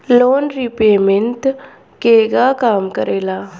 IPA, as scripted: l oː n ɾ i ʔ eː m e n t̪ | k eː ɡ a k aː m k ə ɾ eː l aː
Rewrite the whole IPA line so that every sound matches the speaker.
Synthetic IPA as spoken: l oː n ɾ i p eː m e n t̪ | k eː ɡ a k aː m k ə ɾ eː l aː